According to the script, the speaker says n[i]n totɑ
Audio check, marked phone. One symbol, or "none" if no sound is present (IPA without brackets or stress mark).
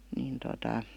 iː